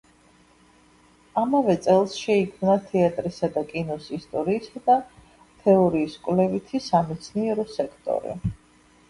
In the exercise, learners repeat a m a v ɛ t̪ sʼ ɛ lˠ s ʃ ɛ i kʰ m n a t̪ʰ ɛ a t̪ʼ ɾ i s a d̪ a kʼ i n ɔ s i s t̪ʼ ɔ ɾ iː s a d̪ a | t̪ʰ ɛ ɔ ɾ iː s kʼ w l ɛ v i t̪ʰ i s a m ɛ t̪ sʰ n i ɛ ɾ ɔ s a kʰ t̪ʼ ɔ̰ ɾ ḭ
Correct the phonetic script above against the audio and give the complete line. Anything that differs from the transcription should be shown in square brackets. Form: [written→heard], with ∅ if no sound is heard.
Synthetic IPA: a m a v ɛ t̪ sʼ ɛ lˠ s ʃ ɛ i kʰ m n a t̪ʰ ɛ a t̪ʼ ɾ i s a d̪ a kʼ i n ɔ s i s t̪ʼ ɔ ɾ iː s a d̪ a | t̪ʰ ɛ ɔ ɾ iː s kʼ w l ɛ v i t̪ʰ i s a m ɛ t̪ sʰ n i ɛ ɾ ɔ s [a→ɛ] kʰ t̪ʼ ɔ̰ ɾ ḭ

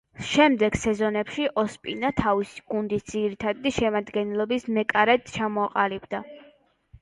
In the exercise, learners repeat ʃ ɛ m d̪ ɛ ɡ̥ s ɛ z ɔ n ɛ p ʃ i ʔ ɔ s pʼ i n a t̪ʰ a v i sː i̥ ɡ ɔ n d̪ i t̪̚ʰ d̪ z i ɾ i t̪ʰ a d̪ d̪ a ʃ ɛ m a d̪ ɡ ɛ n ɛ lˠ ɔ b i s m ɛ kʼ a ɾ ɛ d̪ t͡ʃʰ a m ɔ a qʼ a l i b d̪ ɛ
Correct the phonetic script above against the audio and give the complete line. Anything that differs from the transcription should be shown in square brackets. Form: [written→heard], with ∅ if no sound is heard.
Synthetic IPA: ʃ ɛ m d̪ ɛ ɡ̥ s ɛ z ɔ n ɛ p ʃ i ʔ ɔ s pʼ i n a t̪ʰ a v i [sː→s] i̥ ɡ [ɔ→u] n d̪ i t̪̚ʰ d̪ z i ɾ i t̪ʰ a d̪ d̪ [a→i] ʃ ɛ m a d̪ ɡ ɛ n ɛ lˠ ɔ b i s m ɛ kʼ a ɾ ɛ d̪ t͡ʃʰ a m ɔ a qʼ a l i b d̪ [ɛ→a]

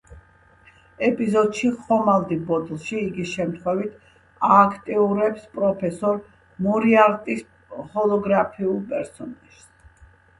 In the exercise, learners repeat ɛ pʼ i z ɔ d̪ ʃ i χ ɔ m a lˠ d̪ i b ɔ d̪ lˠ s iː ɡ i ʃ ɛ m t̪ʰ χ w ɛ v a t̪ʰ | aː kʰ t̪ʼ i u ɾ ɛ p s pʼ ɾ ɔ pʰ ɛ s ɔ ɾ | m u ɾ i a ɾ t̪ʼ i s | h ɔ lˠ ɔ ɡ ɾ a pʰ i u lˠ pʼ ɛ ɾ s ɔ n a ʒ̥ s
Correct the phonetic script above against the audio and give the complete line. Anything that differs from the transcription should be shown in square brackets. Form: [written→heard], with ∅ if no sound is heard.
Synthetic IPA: ɛ pʼ i z ɔ d̪ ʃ i χ ɔ m a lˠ d̪ i b ɔ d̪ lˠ [s→ʃ] iː ɡ i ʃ ɛ m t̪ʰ χ w ɛ v [a→i] t̪ʰ | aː kʰ t̪ʼ i u ɾ ɛ p s pʼ ɾ ɔ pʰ ɛ s ɔ ɾ | m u ɾ i a ɾ t̪ʼ i s | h ɔ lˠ ɔ ɡ ɾ a pʰ i u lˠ pʼ ɛ ɾ s ɔ n a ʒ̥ s

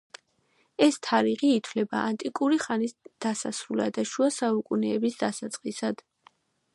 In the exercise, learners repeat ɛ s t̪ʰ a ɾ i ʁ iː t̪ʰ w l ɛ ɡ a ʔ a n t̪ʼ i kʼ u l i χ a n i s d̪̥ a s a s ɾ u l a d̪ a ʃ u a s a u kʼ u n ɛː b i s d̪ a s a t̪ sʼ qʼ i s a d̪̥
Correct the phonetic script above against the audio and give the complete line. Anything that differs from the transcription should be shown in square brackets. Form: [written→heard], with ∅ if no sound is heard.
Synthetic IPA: ɛ s t̪ʰ a ɾ i ʁ iː t̪ʰ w l ɛ [ɡ→b] a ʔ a n t̪ʼ i kʼ u [l→ɾ] i χ a n i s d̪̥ a s a s ɾ u l a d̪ a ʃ u a s a u kʼ u n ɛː b i s d̪ a s a t̪ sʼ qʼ i s a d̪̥

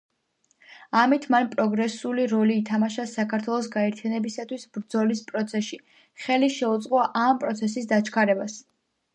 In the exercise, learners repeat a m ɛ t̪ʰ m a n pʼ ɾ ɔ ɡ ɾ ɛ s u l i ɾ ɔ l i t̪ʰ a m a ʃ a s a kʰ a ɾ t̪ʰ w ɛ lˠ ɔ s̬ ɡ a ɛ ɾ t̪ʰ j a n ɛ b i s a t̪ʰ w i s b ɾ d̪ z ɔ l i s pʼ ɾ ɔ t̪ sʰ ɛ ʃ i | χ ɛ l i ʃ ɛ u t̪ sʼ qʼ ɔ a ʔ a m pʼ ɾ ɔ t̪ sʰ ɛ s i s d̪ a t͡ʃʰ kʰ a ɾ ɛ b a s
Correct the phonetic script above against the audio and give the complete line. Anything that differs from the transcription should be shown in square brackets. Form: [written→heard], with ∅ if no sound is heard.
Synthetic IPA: a m [ɛ→i] t̪ʰ m a n pʼ ɾ ɔ ɡ ɾ ɛ s u l i ɾ ɔ l [i→iː] t̪ʰ a m a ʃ a s a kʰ a ɾ t̪ʰ w ɛ lˠ ɔ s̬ ɡ a ɛ ɾ t̪ʰ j a n ɛ b i s a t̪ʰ w i s b ɾ d̪ z ɔ l i s pʼ ɾ ɔ t̪ sʰ ɛ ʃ i | χ ɛ l i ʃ ɛ u t̪ sʼ qʼ ɔ a ʔ a m pʼ ɾ ɔ t̪ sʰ ɛ s i s d̪ a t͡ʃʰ kʰ a ɾ ɛ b a s

